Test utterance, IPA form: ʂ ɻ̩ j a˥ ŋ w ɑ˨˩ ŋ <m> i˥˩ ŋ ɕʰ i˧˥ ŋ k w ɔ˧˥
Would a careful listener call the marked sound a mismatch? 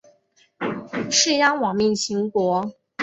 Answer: no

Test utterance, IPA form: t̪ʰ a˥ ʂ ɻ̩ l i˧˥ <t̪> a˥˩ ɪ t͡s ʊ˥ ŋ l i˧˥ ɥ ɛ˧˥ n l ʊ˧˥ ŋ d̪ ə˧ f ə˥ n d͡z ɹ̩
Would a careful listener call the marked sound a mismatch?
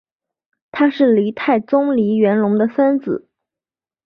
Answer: yes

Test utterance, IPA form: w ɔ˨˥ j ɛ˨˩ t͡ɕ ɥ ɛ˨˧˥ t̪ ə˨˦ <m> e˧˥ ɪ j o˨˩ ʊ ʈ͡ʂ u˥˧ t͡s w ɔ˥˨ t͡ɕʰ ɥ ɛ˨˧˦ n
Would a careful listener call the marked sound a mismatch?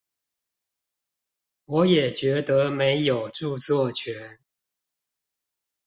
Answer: no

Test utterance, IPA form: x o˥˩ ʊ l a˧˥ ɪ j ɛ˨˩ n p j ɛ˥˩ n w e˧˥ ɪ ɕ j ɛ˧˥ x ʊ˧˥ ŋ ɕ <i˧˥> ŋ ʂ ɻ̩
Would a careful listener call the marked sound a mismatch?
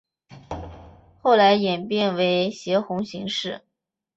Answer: no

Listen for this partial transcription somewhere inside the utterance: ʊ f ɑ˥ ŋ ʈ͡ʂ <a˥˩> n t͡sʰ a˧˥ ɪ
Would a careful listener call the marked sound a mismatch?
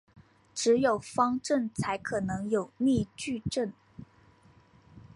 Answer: yes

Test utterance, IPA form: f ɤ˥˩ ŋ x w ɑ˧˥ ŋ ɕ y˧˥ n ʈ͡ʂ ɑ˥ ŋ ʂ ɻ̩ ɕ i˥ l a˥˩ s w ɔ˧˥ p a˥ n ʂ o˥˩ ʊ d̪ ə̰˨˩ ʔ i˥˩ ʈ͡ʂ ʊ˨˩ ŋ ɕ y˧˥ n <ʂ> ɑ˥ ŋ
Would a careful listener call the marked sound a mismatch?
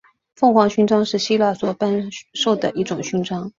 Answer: yes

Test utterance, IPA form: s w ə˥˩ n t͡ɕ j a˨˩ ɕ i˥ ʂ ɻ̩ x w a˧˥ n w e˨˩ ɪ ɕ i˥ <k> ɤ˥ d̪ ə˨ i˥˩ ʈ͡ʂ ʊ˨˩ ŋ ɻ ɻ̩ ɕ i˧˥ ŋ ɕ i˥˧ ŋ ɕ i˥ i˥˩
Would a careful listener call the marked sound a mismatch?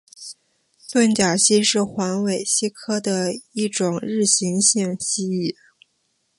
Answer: yes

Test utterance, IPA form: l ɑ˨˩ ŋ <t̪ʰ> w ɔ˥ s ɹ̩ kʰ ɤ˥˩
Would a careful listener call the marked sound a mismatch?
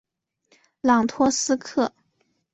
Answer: no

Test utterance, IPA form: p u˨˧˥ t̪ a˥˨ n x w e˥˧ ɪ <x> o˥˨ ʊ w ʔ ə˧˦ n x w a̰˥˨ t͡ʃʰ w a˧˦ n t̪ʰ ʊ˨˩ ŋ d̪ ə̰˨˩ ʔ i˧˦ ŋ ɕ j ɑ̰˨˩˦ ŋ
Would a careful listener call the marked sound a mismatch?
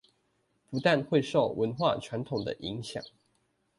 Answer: yes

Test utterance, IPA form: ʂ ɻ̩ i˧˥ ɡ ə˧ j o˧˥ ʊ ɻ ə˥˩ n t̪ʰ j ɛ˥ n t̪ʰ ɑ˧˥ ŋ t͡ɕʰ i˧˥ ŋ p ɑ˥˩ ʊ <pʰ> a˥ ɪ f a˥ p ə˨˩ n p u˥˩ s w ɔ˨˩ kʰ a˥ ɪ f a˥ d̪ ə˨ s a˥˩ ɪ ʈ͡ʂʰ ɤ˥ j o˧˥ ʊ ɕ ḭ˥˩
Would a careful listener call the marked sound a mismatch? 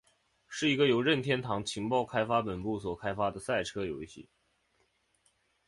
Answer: yes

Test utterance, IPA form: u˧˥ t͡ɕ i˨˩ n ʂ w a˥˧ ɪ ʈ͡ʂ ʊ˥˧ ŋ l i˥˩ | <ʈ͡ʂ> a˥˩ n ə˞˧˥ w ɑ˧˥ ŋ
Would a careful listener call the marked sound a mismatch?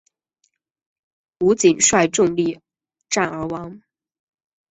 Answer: no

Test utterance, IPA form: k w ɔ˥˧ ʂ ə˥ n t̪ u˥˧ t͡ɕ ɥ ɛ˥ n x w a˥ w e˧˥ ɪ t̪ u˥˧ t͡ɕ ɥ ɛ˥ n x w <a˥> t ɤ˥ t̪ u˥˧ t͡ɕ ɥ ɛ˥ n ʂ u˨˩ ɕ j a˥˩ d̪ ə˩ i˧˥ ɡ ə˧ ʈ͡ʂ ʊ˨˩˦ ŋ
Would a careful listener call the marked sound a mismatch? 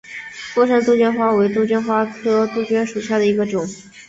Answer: no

